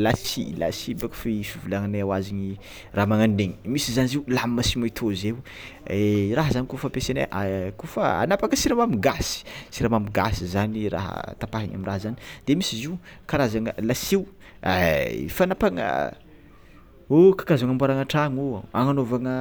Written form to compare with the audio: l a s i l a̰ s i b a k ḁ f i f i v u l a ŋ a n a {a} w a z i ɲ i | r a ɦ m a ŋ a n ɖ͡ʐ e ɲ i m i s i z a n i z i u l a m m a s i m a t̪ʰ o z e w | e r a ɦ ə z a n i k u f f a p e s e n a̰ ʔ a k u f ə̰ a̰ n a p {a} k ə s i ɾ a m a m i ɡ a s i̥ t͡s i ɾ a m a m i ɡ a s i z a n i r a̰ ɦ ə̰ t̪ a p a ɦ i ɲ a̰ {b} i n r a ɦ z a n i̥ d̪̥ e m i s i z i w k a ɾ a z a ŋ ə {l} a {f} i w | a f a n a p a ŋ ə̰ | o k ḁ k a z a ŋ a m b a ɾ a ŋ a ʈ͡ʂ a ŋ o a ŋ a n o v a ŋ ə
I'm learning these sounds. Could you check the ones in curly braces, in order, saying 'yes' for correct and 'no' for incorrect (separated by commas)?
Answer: yes, yes, no, yes, no